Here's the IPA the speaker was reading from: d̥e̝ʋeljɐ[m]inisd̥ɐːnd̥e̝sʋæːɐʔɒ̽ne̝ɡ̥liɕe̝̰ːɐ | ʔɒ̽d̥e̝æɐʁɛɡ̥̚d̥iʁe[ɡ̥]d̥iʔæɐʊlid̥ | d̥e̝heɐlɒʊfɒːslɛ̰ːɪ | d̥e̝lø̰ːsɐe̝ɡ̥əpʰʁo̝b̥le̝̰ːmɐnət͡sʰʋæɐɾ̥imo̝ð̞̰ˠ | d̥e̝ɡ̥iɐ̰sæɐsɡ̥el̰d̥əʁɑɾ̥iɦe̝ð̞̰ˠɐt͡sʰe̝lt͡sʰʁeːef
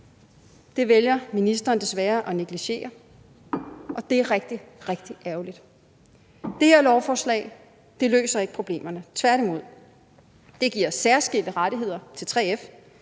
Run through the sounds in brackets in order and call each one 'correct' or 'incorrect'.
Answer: correct, correct

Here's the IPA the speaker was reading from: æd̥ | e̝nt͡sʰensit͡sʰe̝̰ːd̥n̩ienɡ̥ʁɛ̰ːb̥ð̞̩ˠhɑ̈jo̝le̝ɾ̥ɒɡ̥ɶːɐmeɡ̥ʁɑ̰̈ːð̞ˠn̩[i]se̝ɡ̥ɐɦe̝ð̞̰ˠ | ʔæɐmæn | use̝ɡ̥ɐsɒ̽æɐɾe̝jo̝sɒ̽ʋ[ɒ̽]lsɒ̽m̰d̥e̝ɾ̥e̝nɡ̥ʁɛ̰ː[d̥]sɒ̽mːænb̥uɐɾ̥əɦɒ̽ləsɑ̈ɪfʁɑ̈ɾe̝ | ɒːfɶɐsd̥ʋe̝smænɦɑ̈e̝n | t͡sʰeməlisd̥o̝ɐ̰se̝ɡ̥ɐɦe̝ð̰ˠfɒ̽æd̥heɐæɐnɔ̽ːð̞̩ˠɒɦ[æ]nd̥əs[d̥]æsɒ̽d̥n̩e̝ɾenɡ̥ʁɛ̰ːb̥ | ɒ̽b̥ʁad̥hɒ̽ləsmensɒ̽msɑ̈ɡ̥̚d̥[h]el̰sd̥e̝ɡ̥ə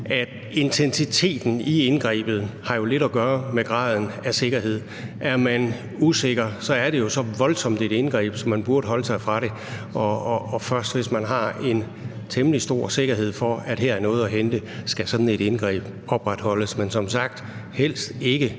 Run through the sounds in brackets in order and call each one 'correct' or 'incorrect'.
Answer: incorrect, correct, incorrect, incorrect, incorrect, correct

